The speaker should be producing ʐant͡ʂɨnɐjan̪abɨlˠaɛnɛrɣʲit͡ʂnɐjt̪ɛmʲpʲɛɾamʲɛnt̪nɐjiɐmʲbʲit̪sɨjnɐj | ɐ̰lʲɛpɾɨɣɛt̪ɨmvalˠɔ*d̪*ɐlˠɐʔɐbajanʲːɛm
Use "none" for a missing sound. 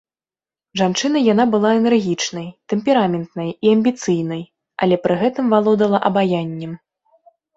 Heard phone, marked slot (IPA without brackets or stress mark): d̪